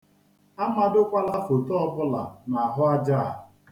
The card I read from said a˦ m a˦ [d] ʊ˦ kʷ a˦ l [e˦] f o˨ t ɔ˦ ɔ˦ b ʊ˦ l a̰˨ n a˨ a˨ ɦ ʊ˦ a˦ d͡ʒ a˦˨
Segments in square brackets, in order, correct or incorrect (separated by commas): correct, incorrect